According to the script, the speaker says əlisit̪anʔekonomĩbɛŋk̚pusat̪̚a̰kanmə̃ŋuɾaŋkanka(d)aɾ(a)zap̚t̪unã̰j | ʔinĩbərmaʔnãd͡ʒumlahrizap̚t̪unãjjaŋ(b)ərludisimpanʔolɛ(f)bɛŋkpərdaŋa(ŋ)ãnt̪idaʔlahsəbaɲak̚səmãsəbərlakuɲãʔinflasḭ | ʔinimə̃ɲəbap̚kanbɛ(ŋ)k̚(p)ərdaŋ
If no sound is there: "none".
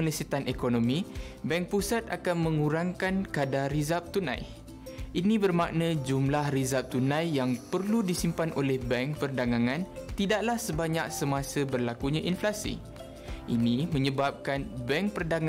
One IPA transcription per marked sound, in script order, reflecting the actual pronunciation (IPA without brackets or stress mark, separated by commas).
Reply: d, i, p, h, ŋ, ŋ, p